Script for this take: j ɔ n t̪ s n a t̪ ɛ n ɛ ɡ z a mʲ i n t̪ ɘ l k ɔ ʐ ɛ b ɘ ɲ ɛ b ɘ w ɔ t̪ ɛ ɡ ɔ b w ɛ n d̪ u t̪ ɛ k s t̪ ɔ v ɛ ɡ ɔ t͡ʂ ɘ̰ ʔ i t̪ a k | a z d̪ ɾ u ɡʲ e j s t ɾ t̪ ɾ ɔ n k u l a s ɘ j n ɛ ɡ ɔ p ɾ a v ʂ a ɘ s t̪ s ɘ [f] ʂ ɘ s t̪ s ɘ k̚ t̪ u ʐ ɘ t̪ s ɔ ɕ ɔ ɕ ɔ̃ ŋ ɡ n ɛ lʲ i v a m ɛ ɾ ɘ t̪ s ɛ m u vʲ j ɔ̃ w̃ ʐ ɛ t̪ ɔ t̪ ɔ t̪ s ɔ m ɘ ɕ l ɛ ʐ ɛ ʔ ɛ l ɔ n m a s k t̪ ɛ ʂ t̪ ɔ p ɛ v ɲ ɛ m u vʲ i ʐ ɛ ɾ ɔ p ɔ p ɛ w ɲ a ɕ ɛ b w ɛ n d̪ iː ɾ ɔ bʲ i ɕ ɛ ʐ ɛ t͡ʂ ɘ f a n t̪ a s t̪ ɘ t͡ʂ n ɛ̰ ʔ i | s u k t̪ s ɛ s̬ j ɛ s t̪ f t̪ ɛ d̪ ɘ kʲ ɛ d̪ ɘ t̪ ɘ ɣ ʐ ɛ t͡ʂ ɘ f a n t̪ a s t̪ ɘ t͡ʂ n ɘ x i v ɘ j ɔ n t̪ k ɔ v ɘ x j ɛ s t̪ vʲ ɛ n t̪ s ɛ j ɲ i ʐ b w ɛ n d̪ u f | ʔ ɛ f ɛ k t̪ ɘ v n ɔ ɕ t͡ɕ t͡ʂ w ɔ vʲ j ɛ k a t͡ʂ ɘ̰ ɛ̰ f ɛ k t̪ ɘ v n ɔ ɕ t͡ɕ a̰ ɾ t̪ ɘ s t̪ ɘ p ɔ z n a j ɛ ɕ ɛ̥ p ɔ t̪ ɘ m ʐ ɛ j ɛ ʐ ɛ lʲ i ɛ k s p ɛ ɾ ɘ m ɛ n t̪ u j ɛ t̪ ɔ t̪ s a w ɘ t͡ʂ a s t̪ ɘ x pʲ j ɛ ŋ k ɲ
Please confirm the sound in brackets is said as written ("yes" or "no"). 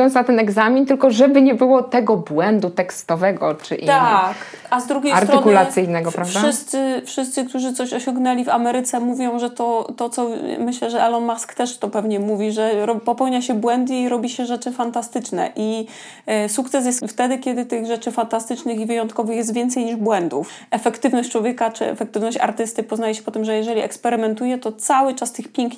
yes